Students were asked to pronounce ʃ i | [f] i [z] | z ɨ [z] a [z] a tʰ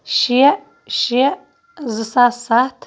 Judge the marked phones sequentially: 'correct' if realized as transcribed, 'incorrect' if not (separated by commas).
incorrect, incorrect, incorrect, incorrect